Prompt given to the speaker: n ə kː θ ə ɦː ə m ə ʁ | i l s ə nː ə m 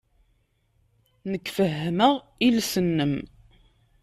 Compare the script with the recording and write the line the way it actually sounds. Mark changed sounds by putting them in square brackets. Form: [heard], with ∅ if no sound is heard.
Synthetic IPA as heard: n ə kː [f] ə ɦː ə m ə ʁ | i l s ə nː ə m